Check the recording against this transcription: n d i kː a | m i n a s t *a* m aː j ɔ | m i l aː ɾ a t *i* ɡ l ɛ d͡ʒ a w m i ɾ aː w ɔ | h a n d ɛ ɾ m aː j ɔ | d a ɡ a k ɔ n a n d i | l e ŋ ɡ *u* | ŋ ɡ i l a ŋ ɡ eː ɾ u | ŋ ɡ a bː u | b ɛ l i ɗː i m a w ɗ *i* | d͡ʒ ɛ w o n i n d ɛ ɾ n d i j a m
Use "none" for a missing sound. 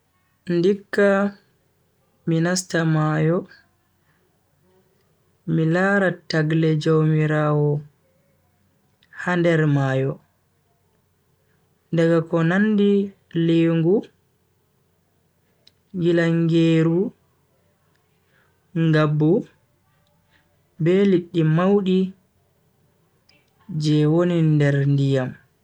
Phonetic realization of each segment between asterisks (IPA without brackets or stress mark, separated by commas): a, a, u, i